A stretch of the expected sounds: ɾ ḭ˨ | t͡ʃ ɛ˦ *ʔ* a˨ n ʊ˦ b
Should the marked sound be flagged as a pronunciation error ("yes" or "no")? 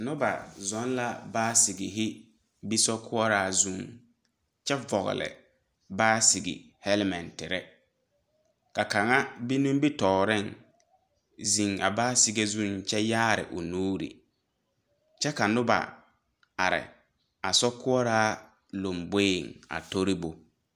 yes